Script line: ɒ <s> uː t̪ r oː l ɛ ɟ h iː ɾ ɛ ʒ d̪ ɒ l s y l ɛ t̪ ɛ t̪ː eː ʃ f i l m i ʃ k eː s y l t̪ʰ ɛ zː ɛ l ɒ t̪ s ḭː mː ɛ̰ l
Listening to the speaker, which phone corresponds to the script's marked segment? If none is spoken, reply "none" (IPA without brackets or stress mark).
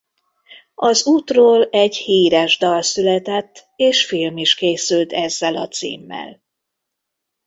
z